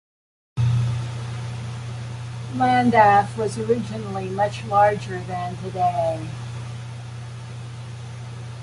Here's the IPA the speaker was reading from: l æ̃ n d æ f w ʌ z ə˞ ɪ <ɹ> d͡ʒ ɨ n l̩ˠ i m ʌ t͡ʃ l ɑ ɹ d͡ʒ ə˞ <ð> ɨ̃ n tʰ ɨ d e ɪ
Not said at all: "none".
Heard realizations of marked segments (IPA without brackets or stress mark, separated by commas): none, ð